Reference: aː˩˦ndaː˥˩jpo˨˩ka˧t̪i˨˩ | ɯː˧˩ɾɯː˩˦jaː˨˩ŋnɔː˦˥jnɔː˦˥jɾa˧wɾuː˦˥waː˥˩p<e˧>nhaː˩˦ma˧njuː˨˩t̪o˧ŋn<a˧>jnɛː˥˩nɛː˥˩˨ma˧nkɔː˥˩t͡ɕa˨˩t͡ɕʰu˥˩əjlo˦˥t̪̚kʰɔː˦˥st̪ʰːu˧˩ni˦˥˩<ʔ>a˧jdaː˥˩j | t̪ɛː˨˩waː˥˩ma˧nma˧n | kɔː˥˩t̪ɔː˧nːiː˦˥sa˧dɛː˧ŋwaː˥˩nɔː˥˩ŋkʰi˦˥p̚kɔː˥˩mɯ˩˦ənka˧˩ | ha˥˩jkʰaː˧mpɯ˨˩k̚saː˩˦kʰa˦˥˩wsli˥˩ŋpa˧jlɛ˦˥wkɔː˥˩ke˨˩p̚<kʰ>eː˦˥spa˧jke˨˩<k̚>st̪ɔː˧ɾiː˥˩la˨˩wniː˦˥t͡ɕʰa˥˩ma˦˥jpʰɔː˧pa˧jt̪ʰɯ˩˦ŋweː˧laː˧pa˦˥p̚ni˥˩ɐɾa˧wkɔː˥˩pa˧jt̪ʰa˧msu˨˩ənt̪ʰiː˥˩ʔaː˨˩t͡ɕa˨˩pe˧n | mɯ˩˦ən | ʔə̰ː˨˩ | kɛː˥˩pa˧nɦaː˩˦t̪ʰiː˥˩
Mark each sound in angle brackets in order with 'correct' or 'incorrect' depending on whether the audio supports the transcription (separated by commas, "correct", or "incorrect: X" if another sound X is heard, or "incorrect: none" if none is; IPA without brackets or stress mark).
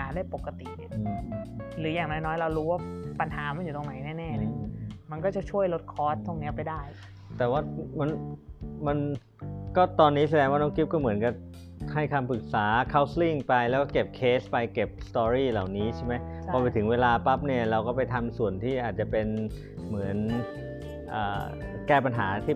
incorrect: a˧, incorrect: a˩˦, incorrect: p, correct, incorrect: p̚